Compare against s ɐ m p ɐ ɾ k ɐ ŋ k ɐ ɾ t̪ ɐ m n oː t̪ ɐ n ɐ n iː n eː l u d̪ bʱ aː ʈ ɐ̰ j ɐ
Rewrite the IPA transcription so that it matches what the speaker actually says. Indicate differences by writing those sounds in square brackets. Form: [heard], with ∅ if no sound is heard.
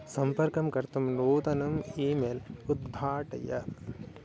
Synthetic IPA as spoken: s ɐ m p ɐ ɾ k ɐ [m] k ɐ ɾ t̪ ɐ m n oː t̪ ɐ n ɐ [m] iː [m] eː l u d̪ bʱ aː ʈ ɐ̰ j ɐ